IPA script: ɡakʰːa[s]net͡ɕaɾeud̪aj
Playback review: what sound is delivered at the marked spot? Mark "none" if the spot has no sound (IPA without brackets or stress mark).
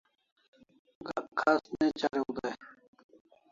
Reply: s